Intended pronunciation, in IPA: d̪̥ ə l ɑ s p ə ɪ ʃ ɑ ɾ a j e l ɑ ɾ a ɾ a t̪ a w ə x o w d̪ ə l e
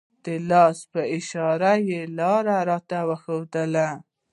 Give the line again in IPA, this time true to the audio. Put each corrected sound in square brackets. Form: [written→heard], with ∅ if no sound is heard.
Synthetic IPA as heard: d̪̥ ə l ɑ s p ə ɪ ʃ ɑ ɾ a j e l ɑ ɾ a ɾ [a→ɑ] t̪ a w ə x o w d̪ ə l [e→a]

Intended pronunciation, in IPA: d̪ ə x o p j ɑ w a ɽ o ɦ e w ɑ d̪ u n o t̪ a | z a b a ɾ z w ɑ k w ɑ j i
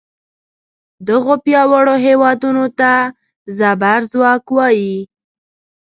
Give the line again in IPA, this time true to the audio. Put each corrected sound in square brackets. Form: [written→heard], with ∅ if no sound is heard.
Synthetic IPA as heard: d̪ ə [x→ɣ] o p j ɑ w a ɽ o ɦ e w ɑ d̪ u n o t̪ a | z a b a ɾ z w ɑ k w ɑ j i

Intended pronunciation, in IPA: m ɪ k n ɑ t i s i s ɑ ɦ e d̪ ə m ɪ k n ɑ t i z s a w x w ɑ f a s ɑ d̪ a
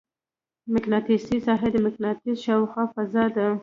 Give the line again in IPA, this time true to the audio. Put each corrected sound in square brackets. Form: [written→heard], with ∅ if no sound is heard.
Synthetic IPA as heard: m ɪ k n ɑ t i s i s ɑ ɦ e d̪ ə m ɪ k n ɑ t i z [s→ʃ] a w x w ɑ f a [s→z] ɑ d̪ a

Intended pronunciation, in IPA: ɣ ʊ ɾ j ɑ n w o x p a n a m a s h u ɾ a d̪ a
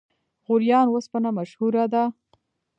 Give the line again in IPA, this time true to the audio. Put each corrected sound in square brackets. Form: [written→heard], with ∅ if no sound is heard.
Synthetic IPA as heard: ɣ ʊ ɾ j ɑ n w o [x→s] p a n a m a [s→ʃ] h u ɾ a d̪ a

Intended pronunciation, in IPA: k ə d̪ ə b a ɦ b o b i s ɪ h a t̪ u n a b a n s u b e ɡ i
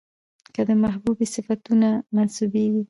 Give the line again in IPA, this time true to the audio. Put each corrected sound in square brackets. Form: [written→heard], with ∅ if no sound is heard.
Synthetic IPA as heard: k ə d̪ ə [b→m] a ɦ b [o→u] b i s ɪ [h→f] a t̪ u n a [b→m] a n s u b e ɡ i

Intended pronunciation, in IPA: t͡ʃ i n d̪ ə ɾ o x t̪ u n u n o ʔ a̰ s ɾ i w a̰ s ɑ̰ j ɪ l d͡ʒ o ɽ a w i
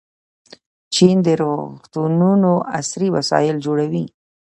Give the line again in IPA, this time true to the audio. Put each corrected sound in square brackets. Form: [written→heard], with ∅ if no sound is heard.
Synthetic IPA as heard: t͡ʃ i n d̪ ə ɾ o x t̪ u n u n o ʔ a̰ s ɾ i w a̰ s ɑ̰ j ɪ l d͡ʒ o ɽ a w i

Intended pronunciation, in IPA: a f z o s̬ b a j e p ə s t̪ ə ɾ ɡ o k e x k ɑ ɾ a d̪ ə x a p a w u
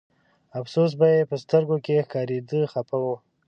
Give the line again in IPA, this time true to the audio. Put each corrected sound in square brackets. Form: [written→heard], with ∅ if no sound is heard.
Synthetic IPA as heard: a f [z→s] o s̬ b a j e p ə s t̪ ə ɾ ɡ o k e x k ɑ ɾ [a→e] d̪ ə x a p a w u

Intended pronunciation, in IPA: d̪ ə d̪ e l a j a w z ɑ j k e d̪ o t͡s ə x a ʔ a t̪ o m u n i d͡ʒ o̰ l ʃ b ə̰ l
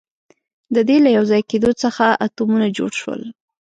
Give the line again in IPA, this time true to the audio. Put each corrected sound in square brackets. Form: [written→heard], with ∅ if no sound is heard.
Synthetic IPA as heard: d̪ ə d̪ e l a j a w z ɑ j k e d̪ o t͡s ə x a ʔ a t̪ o m u n [i→a] d͡ʒ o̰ [l→ɽ] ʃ [b→w] ə̰ l

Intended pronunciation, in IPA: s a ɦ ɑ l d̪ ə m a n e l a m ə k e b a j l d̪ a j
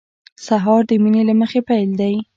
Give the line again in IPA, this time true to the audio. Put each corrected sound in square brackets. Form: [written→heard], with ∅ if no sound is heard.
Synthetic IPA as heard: s a ɦ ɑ [l→ɾ] d̪ ə m [a→i] n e l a m ə [k→x] e [b→p] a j l d̪ a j

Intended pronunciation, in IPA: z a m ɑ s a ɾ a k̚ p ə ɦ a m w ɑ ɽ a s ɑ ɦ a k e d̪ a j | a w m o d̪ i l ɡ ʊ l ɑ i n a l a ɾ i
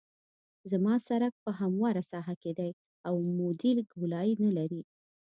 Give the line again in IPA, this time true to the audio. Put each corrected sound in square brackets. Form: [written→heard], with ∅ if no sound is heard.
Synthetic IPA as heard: z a m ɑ s a ɾ a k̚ p ə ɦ a m w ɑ [ɽ→ɾ] a s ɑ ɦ a k e d̪ a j | a w m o d̪ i l ɡ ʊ l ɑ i n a l a ɾ i

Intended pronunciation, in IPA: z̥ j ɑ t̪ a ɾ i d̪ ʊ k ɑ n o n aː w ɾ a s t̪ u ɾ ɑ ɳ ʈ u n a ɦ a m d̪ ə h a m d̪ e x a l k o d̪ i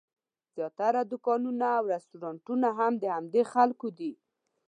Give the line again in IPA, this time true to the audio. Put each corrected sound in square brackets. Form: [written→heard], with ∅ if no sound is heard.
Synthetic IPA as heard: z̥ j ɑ t̪ a ɾ [i→a] d̪ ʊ k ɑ n [o→u] n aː w ɾ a s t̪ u ɾ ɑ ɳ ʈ u n a ɦ a m d̪ ə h a m d̪ e x a l k o d̪ i

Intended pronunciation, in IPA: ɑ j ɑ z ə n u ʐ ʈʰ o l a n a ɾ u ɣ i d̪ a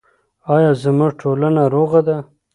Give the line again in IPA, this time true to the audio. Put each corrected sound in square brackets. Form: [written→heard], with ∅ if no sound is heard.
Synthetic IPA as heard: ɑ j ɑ z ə [n→m] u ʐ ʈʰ o l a n a ɾ [u→o] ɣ [i→a] d̪ a

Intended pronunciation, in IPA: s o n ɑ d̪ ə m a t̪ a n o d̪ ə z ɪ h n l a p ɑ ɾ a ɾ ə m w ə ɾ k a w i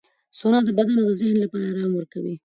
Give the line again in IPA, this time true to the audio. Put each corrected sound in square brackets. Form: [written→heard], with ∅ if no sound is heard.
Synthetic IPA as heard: s o n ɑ d̪ ə [m→b] a [t̪→d̪] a n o d̪ ə z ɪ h n l a p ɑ ɾ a ɾ [ə→ɑ] m w ə ɾ k a w i

